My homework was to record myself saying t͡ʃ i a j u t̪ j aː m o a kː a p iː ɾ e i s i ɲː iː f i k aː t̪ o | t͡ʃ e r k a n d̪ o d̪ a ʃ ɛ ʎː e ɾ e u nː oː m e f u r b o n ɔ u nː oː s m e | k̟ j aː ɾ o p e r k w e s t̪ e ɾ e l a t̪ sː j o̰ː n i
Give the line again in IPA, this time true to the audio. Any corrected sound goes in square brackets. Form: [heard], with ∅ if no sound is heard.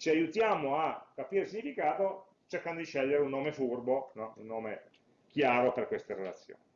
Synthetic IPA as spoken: t͡ʃ i a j u t̪ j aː m o a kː a p iː ɾ e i s i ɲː [i] f i k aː t̪ o | t͡ʃ e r k a n d̪ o d̪ [i] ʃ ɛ ʎː e ɾ e u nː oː m e f u r b o n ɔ u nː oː [∅] m e | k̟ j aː ɾ o p e r k w e s t̪ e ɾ e l a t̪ sː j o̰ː n i